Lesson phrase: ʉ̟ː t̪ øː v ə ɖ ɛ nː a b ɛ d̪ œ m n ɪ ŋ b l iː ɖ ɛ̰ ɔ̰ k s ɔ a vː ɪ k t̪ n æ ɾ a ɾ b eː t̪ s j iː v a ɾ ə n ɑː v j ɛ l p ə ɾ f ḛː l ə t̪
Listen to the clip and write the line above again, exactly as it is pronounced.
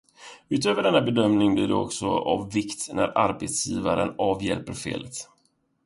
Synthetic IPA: ʉ̟ː t̪ øː v ə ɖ ɛ nː a b ɛ d̪ œ m n ɪ ŋ b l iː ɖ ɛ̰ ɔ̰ k s ɔ a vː ɪ k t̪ n æ ɾ a ɾ b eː t̪ s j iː v a ɾ ə n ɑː v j ɛ l p ə ɾ f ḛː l ə t̪

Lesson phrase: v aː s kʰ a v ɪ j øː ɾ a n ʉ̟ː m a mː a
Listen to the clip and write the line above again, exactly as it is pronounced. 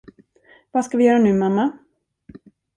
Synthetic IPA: v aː s k a v ɪ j œː ɾ a n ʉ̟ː m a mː a

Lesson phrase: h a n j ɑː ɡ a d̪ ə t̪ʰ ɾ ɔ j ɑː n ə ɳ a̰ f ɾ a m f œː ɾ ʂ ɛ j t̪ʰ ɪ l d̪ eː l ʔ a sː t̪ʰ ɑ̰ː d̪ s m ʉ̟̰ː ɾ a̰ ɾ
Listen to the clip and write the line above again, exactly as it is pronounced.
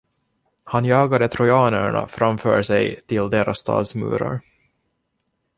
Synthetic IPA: h a n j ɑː ɡ a d̪ ə t̪ʰ ɾ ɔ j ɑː n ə ɳ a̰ f ɾ a m f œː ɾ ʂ ɛ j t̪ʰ ɪ l d̪ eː ɾ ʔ a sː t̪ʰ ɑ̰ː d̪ s m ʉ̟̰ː ɾ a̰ ɾ

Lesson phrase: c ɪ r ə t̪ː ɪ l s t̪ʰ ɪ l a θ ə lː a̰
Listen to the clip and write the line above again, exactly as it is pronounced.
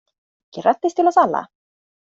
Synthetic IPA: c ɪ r a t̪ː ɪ s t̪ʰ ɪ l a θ a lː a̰

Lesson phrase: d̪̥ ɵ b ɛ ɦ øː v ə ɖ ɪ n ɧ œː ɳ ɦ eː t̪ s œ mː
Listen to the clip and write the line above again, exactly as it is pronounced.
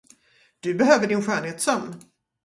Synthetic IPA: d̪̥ ɵ b ɛ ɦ øː v ə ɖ ɪ n ɧ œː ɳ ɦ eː t̪ s œ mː

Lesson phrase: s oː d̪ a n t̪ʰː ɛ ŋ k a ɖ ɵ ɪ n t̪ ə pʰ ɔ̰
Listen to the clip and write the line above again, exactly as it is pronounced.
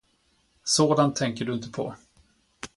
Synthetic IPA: s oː d̪ a n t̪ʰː ɛ ŋ k ə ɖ ɵ ɪ n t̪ ə pʰ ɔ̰

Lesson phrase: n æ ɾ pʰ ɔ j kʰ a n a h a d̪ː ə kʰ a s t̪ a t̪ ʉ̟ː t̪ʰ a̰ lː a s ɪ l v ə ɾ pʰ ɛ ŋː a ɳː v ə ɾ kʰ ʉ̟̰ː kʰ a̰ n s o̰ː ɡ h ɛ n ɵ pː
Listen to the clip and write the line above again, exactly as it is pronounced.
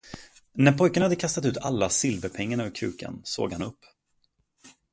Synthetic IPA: n æ ɾ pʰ ɔ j k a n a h a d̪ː ə kʰ a s t̪ a t̪ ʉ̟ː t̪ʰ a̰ lː a s ɪ l v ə ɾ pʰ ɛ ŋː a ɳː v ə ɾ kʰ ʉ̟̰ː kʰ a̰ n s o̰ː ɡ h a n ɵ pː

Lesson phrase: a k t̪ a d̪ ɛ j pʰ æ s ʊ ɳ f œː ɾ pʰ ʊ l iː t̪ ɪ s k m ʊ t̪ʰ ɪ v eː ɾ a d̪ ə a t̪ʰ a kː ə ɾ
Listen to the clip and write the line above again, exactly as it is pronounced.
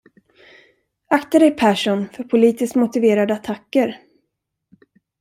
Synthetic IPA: a k t̪ a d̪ ɛ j pʰ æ ʂ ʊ n f œ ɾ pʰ ʊ l iː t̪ ɪ s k m ʊ t̪ ɪ v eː ɾ a d̪ ə a t̪ʰ a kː ə ɾ

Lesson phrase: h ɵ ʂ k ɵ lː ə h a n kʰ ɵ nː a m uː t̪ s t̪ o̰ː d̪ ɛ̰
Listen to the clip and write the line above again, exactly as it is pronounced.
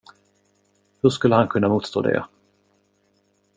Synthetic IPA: h ɵ ʂ k ɵ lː ə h a n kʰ ɵ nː a m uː t̪ s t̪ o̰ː d̪ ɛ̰

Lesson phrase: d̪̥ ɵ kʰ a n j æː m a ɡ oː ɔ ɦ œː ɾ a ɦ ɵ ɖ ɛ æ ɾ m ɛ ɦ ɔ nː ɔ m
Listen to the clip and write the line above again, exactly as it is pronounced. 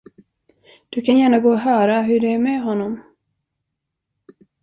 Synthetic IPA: d̪̥ ɵ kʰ a n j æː ɳ a ɡ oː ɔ ɦ œː ɾ a ɦ ɵ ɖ ɛ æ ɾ m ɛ ɦ ɔ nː ɔ m

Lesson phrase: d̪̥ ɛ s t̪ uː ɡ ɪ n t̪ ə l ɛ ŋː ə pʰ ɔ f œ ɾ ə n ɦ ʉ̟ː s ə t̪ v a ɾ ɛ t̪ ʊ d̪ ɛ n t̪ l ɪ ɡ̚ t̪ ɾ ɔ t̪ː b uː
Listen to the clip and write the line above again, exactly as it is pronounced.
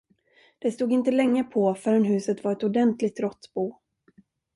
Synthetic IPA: d̪̥ ɛ s t̪ uː ɡ ɪ n t̪ ə l ɛ ŋː ə pʰ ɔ f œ ɾ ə n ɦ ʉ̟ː s ə t̪ v a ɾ ɛ t̪ ʊ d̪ ɛ n t̪ l ɪ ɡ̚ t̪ ɾ ɔ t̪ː b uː

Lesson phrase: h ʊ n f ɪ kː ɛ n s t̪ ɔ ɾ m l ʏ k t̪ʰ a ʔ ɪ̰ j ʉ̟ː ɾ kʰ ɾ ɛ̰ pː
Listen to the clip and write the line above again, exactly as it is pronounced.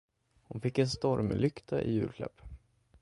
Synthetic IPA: h ʊ n f ɪ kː ɛ n s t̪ ɔ ɾ m l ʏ k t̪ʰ a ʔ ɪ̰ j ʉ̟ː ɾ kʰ l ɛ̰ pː

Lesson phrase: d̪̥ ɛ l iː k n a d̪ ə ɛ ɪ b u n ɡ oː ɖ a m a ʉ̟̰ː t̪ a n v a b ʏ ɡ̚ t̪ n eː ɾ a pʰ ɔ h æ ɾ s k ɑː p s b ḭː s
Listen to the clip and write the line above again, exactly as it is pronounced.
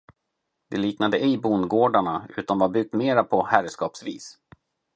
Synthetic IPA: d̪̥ ɛ l iː k n a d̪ ə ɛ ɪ b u n ɡ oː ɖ a ɳ a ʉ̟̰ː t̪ a n v a b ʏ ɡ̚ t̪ m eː ɾ a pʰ ɔ h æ ɾ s k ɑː p s v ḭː s

